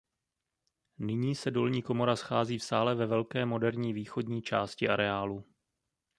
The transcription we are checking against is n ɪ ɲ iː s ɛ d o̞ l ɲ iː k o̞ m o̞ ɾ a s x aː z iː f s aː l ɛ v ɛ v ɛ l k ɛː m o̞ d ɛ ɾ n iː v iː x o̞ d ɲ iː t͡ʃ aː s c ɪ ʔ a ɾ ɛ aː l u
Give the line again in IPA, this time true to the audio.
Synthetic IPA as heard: n ɪ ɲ iː s ɛ d o̞ l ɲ iː k o̞ m o̞ ɾ a s x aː z iː f s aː l ɛ v ɛ v ɛ l k ɛː m o̞ d ɛ ɾ ɲ iː v iː x o̞ d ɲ iː t͡ʃ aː s c ɪ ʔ a ɾ ɛ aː l u